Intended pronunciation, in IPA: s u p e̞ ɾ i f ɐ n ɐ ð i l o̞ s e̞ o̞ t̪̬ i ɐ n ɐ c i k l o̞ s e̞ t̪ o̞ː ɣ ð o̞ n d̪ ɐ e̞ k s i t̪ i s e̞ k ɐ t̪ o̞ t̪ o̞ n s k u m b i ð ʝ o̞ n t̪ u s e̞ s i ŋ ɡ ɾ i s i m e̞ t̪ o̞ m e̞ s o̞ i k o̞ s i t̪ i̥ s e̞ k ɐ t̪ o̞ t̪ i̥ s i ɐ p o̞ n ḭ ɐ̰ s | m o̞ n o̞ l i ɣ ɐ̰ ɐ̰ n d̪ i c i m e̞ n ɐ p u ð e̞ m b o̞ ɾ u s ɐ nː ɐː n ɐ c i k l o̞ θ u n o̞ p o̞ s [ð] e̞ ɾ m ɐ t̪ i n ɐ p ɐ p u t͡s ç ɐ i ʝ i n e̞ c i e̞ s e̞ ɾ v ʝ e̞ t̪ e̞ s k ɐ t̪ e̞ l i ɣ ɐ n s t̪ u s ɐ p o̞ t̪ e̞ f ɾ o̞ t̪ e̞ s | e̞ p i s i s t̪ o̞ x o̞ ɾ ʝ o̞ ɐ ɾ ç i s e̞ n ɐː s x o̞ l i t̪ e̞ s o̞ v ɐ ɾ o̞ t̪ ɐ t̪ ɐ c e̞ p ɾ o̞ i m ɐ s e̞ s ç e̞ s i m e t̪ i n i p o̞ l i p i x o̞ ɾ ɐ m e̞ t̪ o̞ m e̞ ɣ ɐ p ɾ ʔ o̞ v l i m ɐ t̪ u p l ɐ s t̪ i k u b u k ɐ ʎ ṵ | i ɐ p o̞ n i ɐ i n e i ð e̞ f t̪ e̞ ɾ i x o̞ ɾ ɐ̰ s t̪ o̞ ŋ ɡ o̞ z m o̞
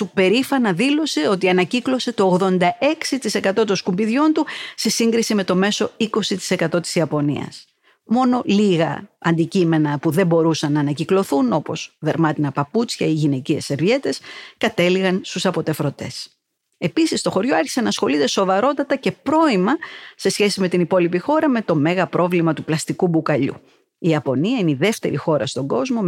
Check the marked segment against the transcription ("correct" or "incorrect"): correct